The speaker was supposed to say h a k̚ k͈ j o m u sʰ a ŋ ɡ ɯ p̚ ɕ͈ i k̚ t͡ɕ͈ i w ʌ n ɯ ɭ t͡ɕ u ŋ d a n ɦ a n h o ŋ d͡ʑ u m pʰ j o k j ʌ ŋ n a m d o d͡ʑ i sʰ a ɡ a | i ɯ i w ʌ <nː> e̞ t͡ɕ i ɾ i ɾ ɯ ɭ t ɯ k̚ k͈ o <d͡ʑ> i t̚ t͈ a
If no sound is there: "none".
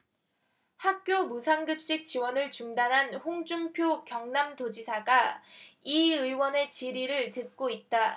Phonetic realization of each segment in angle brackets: n, none

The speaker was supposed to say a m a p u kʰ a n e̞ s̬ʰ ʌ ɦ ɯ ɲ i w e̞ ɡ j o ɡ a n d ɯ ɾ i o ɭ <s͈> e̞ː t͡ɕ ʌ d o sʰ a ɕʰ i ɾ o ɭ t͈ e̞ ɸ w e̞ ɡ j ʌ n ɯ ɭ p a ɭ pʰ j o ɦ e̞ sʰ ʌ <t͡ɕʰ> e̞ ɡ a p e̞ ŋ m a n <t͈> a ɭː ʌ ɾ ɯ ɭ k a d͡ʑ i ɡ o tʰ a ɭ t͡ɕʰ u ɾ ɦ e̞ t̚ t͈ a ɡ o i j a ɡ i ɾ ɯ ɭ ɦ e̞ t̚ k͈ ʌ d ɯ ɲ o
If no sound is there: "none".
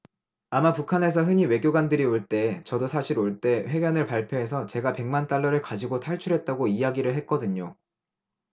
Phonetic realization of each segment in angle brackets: t͈, t͡ɕ, t͈

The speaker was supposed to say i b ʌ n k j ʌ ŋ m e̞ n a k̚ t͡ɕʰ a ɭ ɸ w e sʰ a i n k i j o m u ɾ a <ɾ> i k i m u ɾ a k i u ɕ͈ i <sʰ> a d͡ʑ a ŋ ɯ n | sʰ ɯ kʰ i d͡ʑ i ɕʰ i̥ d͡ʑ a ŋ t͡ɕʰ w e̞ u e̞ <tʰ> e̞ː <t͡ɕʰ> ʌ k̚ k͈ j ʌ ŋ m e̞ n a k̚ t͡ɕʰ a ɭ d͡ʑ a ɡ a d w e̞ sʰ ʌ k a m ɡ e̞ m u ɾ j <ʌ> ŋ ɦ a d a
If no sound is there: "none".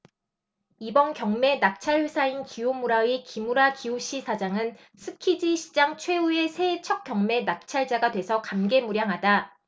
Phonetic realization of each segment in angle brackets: none, sʰ, sʰ, t͡ɕʰ, a

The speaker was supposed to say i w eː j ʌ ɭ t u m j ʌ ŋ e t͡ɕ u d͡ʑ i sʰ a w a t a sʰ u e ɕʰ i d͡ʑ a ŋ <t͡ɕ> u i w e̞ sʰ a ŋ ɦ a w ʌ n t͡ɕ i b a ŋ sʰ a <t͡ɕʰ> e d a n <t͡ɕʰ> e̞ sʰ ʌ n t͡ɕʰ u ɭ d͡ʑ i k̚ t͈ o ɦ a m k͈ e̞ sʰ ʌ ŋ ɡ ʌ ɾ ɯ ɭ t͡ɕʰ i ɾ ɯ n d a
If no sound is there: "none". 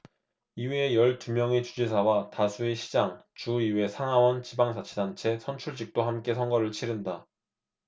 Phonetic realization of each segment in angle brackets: t͡ɕ, t͡ɕʰ, t͡ɕʰ

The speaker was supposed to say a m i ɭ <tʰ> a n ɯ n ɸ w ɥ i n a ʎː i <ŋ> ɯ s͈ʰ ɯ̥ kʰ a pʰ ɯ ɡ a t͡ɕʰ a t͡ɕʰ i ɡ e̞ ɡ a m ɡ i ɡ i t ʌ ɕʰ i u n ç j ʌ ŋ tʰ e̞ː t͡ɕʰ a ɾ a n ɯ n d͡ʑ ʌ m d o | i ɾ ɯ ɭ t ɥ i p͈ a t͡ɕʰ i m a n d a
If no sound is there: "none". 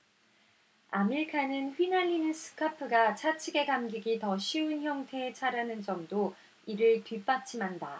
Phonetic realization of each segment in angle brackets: kʰ, n

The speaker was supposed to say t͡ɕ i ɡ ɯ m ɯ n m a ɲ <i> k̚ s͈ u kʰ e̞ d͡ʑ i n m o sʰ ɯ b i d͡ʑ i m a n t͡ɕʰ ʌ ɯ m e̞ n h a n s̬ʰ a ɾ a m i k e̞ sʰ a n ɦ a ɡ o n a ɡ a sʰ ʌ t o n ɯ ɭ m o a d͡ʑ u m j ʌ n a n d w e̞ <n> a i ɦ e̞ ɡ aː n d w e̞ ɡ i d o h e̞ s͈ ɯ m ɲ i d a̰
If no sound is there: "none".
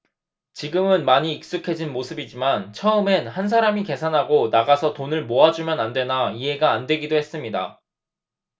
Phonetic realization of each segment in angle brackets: iː, n

